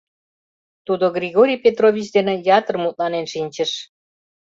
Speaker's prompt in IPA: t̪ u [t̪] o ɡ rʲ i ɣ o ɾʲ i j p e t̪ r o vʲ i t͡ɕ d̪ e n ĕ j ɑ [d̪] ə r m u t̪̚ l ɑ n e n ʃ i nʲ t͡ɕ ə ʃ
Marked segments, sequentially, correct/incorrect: incorrect: d̪, incorrect: t̪

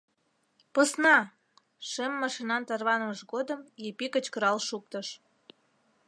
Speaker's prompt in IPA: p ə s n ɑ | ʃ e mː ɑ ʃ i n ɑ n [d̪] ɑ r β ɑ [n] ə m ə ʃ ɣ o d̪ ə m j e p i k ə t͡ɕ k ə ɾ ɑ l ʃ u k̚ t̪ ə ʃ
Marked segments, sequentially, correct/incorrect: incorrect: t̪, correct

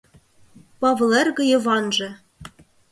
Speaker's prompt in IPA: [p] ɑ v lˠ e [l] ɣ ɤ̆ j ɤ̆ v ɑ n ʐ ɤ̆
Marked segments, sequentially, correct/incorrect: correct, incorrect: r

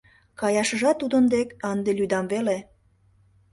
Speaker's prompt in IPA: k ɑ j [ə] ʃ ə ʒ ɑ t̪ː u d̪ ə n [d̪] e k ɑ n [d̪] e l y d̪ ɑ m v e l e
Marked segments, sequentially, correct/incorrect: incorrect: ɑ, correct, correct

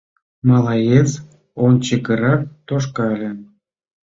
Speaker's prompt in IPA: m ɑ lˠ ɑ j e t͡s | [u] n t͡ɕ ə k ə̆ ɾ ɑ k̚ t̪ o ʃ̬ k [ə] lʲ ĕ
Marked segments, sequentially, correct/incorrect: incorrect: o, incorrect: ɑ

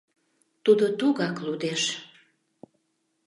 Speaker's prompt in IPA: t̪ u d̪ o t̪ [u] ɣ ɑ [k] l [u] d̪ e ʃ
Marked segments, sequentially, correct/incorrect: correct, correct, correct

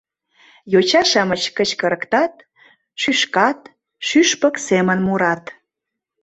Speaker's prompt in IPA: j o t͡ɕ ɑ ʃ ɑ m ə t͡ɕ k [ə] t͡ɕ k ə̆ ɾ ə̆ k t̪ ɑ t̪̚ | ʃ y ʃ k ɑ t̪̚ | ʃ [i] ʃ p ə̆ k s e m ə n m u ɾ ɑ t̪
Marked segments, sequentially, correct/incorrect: correct, incorrect: y

